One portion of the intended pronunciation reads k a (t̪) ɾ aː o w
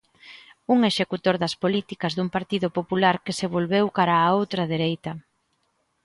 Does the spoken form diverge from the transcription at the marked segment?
yes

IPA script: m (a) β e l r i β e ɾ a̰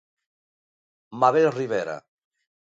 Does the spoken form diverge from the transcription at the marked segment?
no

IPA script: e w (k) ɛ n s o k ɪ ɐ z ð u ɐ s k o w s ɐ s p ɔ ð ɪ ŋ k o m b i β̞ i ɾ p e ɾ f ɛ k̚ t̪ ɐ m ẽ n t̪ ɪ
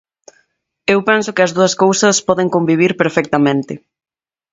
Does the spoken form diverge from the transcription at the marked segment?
yes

